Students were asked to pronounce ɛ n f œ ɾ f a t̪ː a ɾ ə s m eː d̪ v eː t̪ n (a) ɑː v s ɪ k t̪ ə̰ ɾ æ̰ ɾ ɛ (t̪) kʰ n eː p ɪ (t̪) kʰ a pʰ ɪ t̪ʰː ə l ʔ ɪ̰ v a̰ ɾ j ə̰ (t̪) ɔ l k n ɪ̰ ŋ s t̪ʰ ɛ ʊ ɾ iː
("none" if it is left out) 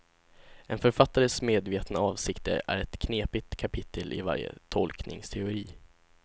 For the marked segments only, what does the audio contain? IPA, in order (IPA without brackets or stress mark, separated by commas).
a, t̪, t̪, t̪ʰ